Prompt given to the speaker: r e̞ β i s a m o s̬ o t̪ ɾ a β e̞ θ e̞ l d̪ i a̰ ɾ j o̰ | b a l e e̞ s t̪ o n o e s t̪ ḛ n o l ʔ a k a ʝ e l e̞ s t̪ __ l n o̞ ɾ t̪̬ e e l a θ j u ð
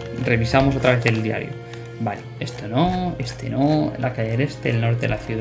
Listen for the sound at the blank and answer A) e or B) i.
A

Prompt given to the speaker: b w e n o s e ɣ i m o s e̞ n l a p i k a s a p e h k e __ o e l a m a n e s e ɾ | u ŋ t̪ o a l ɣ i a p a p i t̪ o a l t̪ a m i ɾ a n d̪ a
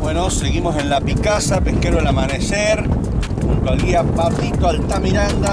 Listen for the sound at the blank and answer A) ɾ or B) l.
A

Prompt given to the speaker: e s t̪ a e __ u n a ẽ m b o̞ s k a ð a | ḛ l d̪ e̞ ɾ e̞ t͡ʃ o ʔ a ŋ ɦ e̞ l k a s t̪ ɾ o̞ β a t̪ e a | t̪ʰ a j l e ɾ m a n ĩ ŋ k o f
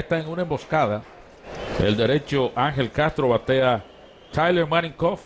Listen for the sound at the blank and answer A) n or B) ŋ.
B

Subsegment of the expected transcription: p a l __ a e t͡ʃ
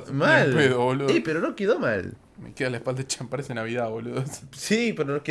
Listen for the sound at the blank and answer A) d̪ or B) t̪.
A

